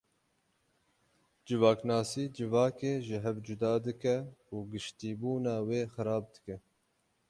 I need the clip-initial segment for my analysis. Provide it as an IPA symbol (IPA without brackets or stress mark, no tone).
d͡ʒ